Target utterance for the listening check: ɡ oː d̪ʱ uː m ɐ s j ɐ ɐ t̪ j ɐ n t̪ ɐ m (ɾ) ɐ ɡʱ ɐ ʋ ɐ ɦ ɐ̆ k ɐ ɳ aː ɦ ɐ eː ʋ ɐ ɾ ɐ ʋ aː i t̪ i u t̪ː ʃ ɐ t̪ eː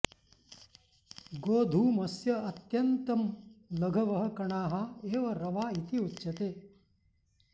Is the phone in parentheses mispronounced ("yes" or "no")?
yes